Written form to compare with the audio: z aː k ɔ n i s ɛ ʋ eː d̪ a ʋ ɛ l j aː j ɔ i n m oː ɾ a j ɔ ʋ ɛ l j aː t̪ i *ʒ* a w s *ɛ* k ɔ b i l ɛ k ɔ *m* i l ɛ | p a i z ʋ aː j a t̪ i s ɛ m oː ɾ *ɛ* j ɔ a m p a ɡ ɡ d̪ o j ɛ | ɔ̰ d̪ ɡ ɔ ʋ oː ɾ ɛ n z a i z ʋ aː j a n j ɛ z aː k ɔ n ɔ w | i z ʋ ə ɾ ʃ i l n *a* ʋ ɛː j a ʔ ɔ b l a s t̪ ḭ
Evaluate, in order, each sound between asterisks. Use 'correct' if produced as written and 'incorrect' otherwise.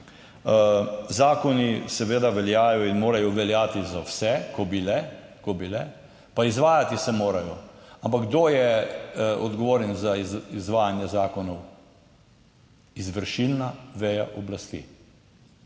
incorrect, correct, incorrect, incorrect, correct

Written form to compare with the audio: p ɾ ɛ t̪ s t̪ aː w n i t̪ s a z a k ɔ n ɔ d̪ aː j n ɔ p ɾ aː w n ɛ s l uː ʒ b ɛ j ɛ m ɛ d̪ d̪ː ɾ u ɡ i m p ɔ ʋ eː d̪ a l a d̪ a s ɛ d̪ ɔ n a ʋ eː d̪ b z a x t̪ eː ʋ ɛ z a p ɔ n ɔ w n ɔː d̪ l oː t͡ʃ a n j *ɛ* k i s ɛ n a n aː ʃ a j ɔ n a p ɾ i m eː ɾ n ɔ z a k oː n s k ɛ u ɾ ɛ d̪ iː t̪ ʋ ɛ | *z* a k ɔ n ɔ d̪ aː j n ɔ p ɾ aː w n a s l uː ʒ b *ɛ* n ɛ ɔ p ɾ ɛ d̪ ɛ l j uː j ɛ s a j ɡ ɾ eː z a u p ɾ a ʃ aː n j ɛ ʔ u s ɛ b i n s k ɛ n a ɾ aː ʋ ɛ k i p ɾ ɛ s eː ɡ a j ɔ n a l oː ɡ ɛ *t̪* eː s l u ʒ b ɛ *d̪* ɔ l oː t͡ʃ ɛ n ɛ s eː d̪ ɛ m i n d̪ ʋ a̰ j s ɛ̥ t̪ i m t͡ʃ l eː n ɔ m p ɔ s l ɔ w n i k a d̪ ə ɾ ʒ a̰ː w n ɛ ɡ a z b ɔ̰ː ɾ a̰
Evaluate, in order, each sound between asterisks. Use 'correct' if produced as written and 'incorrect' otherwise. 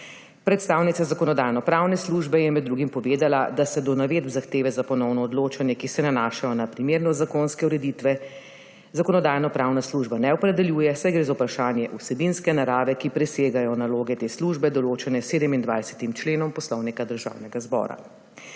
correct, correct, incorrect, correct, correct

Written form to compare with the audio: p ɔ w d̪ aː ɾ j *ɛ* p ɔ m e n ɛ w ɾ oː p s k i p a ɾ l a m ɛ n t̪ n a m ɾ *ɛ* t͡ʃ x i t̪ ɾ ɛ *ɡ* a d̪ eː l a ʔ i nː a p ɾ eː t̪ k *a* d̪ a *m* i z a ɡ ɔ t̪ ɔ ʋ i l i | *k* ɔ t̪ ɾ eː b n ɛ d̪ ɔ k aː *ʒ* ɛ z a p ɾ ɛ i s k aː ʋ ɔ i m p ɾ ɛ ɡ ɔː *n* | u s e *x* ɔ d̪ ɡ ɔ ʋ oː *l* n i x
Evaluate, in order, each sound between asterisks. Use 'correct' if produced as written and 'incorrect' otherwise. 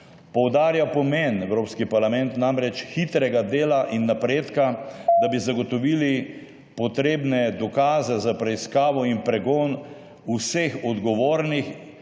incorrect, correct, correct, correct, incorrect, incorrect, incorrect, correct, correct, incorrect

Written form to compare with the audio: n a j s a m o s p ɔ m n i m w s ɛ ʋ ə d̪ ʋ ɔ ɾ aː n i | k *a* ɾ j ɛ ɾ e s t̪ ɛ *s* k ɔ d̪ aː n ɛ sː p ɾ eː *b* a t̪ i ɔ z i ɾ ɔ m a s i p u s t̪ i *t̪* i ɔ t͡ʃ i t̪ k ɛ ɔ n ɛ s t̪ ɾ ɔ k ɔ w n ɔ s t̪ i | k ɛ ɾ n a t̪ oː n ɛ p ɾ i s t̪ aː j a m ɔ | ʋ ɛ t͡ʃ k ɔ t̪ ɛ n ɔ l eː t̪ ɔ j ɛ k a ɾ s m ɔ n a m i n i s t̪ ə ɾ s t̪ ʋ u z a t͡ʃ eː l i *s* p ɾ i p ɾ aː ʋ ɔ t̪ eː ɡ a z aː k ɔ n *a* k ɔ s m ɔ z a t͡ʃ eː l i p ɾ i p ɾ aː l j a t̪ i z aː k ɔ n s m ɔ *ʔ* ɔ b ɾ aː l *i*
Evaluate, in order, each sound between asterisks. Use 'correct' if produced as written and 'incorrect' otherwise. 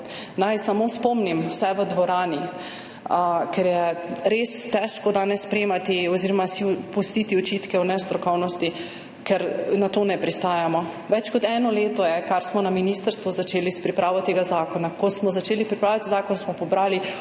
incorrect, incorrect, incorrect, correct, correct, correct, incorrect, correct

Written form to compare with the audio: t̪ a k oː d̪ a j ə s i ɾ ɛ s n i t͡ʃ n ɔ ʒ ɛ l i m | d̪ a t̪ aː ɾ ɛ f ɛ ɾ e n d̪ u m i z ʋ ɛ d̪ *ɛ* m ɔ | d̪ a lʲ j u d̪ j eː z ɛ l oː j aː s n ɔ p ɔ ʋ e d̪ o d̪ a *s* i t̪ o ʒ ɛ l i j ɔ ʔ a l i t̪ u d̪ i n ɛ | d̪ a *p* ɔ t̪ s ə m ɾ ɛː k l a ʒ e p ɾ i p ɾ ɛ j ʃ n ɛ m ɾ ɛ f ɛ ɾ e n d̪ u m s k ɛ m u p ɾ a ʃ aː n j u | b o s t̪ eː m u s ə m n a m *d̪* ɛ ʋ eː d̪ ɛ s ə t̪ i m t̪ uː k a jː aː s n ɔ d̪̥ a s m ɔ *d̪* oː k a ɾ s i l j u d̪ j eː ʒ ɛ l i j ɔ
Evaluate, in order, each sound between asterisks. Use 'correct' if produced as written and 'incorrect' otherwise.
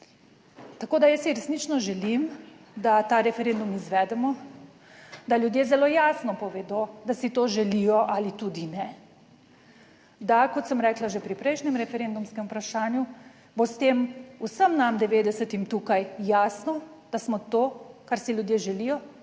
correct, correct, incorrect, correct, incorrect

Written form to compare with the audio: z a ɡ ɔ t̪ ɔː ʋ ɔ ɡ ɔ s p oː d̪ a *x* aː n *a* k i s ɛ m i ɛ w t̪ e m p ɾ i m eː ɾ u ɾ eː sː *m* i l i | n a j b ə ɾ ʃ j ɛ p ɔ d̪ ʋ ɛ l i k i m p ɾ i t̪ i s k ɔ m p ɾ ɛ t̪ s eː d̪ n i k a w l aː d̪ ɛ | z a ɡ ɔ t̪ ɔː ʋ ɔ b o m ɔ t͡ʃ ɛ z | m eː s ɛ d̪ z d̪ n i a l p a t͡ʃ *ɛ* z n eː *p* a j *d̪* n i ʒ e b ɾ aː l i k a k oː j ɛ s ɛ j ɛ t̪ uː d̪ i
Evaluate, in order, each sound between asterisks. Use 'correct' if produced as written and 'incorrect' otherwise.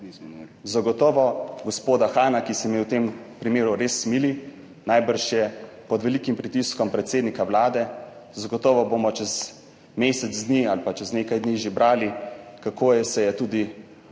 correct, correct, correct, correct, incorrect, correct

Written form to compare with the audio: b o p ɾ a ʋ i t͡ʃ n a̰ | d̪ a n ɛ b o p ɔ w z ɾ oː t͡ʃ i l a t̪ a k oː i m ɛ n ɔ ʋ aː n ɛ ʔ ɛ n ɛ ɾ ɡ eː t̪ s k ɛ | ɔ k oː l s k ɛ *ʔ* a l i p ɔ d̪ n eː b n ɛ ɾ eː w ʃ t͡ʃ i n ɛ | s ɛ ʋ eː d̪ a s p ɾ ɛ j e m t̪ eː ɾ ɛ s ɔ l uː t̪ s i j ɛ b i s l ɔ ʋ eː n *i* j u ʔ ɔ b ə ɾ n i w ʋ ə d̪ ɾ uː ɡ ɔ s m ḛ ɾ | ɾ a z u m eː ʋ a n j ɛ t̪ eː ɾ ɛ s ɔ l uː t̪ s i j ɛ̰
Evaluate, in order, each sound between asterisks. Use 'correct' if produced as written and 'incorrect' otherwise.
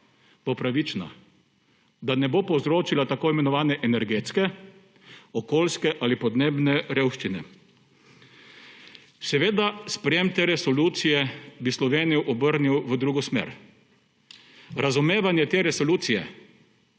correct, correct

